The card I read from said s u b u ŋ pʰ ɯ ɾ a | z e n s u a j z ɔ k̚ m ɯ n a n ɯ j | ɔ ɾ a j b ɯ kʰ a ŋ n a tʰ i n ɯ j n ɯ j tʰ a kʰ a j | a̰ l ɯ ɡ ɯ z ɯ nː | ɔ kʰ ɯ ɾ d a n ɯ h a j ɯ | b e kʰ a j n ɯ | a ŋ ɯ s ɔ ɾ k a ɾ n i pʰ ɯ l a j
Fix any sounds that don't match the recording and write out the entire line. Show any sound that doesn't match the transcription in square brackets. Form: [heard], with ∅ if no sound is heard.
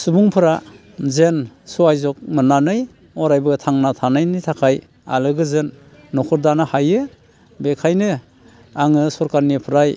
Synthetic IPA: s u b u ŋ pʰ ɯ ɾ a | z e n s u a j z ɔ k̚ m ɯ n a n ɯ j | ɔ ɾ a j b ɯ [tʰ] a ŋ n a tʰ [a] n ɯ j n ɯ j tʰ a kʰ a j | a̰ l ɯ ɡ ɯ z ɯ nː | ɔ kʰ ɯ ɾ d a n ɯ h a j ɯ | b e kʰ a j n ɯ | a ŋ ɯ s ɔ ɾ k a ɾ n i pʰ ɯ [ɾ] a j